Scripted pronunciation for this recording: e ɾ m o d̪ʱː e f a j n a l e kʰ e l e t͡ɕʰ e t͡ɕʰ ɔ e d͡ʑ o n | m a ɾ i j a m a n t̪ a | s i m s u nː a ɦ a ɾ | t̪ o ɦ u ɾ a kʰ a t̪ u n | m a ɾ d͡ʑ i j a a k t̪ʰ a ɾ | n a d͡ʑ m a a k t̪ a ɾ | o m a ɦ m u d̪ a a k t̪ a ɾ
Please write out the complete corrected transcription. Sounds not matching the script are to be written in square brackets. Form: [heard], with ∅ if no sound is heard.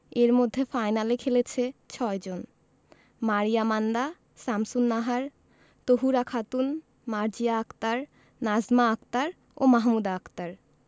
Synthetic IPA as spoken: e ɾ m o d̪ʱː e f a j n a l e kʰ e l e t͡ɕʰ e t͡ɕʰ ɔ e d͡ʑ o n | m a ɾ i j a m a n [d̪] a | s [a] m s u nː a ɦ a ɾ | t̪ o ɦ u ɾ a kʰ a t̪ u n | m a ɾ d͡ʑ i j a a k [t̪] a ɾ | n a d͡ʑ m a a k t̪ a ɾ | o m a ɦ m u d̪ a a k t̪ a ɾ

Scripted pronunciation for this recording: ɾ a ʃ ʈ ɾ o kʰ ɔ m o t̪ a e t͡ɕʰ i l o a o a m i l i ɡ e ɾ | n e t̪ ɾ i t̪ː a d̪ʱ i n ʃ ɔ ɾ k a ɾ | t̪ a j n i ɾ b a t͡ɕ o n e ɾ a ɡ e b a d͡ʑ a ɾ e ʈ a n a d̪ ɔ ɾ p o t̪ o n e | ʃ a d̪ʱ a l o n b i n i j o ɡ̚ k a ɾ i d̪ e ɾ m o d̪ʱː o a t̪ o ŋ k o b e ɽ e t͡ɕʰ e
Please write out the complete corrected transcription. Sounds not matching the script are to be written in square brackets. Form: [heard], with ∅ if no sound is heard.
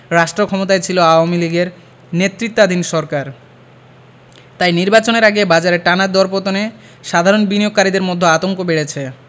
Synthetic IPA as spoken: ɾ a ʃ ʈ ɾ o kʰ ɔ m o t̪ a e t͡ɕʰ i l o a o a m i l i ɡ e ɾ | n e t̪ ɾ i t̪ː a d̪ʱ i n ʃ ɔ ɾ k a ɾ | t̪ a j n i ɾ b a t͡ɕ o n e ɾ a ɡ e b a d͡ʑ a ɾ e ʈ a n a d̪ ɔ ɾ p o t̪ o n e | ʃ a d̪ʱ a [ɾ] o n b i n i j o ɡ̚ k a ɾ i d̪ e ɾ m o d̪ʱː o a t̪ o ŋ k o b e ɽ e t͡ɕʰ e

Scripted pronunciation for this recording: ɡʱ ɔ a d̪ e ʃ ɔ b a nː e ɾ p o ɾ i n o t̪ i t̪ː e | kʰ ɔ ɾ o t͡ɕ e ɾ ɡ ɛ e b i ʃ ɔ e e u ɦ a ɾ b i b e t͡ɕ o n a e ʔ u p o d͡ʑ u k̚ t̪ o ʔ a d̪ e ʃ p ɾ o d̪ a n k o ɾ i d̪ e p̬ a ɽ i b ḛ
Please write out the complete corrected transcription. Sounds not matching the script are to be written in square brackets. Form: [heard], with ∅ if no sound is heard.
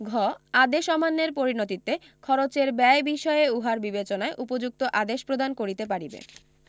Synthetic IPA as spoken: ɡʱ ɔ a d̪ e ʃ ɔ [m] a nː e ɾ p o ɾ i n o t̪ i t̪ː e | kʰ ɔ ɾ o t͡ɕ e ɾ [b] ɛ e b i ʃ ɔ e e u ɦ a ɾ b i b e t͡ɕ o n a e ʔ u p o d͡ʑ u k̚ t̪ o ʔ a d̪ e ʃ p ɾ o d̪ a n k o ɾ i [t̪] e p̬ a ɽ i b ḛ

